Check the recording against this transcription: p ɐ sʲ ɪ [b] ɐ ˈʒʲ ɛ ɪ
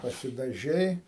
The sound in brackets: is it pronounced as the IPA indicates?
no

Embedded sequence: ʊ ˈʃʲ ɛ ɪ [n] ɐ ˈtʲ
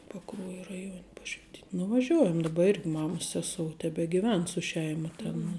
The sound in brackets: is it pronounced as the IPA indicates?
no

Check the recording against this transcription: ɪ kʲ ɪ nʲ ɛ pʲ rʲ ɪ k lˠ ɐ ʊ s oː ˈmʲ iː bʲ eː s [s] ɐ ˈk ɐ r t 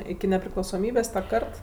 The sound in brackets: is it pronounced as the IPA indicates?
no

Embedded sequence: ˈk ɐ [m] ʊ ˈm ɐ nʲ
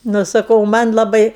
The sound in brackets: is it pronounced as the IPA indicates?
no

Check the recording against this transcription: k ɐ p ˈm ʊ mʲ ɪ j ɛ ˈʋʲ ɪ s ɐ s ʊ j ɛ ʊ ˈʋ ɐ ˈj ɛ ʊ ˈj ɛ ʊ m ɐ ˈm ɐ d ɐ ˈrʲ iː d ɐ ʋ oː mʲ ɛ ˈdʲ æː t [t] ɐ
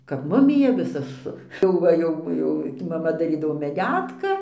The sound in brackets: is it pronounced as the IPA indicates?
no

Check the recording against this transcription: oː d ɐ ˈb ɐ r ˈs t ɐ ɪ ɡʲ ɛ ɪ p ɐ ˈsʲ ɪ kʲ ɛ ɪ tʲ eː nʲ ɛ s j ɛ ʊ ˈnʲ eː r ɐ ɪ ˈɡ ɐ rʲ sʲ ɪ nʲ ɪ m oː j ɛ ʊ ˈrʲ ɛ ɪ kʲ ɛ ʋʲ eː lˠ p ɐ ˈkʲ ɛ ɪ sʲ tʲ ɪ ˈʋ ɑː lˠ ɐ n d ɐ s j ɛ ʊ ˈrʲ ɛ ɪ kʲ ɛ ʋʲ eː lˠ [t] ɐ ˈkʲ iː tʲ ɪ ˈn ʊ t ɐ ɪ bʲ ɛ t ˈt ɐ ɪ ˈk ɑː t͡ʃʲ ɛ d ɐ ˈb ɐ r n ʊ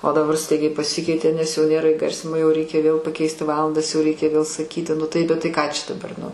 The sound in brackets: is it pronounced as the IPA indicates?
no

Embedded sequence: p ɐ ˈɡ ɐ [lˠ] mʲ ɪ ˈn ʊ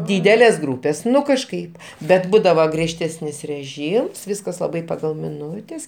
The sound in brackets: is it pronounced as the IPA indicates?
yes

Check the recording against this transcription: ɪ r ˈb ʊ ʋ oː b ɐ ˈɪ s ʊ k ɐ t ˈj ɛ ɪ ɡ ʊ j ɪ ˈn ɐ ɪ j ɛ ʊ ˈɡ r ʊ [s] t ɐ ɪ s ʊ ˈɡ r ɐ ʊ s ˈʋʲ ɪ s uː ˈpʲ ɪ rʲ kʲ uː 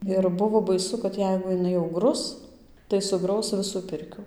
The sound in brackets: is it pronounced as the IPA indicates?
yes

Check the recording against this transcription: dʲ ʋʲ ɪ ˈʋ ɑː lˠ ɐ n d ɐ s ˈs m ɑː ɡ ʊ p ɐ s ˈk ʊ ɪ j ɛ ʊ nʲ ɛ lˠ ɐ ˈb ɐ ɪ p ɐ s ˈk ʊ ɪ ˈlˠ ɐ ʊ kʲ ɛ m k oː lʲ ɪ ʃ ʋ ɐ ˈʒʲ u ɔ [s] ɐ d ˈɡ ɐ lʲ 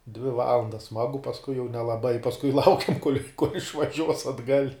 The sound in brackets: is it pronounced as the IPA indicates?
yes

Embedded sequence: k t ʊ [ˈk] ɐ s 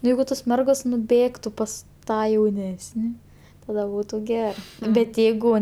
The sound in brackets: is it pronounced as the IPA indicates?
no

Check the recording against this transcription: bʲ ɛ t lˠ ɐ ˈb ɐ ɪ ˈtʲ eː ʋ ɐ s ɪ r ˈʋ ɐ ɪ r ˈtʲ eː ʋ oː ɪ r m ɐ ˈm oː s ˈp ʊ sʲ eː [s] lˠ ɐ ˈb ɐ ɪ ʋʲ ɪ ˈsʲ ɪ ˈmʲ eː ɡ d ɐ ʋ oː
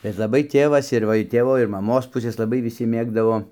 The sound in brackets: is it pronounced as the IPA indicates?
yes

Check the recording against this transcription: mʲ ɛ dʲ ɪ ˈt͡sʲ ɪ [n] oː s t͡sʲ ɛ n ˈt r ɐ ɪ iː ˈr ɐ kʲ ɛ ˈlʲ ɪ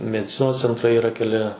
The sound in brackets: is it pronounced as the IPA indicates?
yes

